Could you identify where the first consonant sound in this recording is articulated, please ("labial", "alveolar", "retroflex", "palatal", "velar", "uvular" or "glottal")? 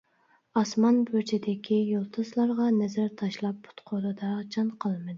alveolar